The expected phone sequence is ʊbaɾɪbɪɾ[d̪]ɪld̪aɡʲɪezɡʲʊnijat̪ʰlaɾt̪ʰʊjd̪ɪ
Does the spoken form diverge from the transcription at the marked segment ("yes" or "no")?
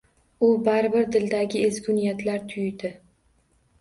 no